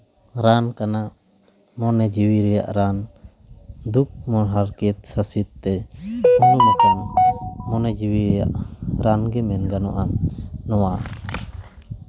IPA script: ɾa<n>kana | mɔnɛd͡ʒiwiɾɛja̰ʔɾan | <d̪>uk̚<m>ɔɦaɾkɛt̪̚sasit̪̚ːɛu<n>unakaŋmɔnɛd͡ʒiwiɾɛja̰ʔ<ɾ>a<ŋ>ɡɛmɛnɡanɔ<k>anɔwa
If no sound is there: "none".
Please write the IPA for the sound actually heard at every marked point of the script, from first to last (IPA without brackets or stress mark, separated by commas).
n, d̪, m, n, ɾ, n, ʔ